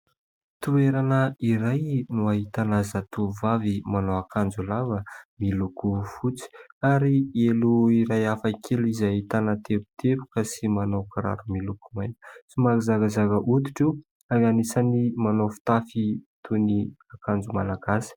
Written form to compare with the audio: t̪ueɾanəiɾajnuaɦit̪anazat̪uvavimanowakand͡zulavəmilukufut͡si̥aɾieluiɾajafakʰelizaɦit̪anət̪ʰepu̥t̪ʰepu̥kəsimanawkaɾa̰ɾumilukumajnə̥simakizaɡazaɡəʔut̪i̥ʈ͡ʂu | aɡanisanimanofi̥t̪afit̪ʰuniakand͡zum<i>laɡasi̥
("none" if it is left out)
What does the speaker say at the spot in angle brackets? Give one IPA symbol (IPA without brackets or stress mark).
a